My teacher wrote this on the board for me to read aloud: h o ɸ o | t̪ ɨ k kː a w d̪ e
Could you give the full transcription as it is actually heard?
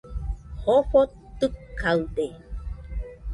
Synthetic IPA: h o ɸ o | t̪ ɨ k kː a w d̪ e